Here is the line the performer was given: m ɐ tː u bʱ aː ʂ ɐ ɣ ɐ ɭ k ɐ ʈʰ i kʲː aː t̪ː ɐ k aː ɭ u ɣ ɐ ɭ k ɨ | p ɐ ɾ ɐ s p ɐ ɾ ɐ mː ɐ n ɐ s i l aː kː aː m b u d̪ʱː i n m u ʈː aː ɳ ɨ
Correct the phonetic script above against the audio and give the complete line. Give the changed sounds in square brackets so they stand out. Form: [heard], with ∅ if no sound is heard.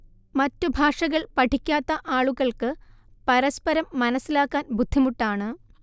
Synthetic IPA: m ɐ tː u bʱ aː ʂ ɐ ɣ ɐ ɭ [p] ɐ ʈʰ i kʲː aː t̪ː ɐ [ʔ] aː ɭ u ɣ ɐ ɭ k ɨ | p ɐ ɾ ɐ s p ɐ ɾ ɐ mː ɐ n ɐ s i l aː kː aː [n] b u d̪ʱː i [∅] m u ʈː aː ɳ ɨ